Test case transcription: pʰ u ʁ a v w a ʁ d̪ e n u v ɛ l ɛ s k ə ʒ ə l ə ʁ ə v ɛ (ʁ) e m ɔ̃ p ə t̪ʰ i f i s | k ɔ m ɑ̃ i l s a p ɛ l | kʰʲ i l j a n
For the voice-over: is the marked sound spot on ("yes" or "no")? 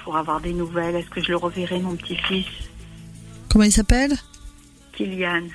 yes